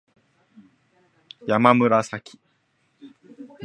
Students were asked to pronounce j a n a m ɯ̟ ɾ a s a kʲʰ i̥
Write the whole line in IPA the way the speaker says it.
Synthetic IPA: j a m a m ɯ̟ ɾ a s a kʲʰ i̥